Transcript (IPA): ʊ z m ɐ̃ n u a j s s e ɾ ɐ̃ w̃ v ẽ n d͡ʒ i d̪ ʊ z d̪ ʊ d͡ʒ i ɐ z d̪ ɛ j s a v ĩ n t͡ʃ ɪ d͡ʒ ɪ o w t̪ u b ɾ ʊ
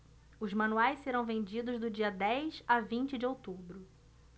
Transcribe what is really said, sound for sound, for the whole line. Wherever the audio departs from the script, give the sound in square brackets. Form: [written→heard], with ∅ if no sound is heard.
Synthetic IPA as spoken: ʊ z m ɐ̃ n u a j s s e ɾ ɐ̃ w̃ v ẽ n d͡ʒ i d̪ ʊ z d̪ ʊ d͡ʒ i ɐ [z→∅] d̪ ɛ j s a v ĩ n t͡ʃ ɪ d͡ʒ ɪ o w t̪ u b ɾ ʊ